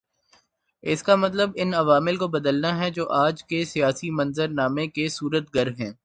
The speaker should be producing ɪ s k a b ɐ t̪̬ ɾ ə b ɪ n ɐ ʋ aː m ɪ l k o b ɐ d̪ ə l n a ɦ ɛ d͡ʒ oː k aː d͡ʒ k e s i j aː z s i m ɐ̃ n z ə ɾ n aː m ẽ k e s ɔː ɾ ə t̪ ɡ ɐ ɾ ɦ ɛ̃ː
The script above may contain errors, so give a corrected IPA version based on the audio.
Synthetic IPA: ɪ s k a m ɐ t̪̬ l ə b ɪ n ɐ ʋ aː m ɪ l k o b ɐ d̪ ə l n a ɦ ɛ d͡ʒ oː ʔ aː d͡ʒ k e s i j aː s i m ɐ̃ n z ə ɾ n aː m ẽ k e s uː ɾ ə t̪ ɡ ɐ ɾ ɦ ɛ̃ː